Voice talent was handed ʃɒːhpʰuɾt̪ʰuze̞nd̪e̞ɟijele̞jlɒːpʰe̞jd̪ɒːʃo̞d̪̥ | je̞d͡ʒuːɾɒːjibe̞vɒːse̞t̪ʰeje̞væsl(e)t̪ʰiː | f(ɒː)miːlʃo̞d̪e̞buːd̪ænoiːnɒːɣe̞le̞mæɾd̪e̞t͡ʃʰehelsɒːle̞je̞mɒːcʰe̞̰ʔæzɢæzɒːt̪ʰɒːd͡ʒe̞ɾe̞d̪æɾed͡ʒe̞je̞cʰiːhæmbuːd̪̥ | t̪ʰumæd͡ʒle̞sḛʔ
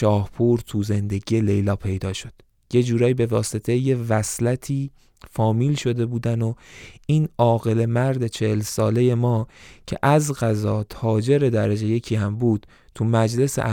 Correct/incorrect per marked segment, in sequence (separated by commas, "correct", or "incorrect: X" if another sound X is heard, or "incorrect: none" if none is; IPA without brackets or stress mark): incorrect: æ, correct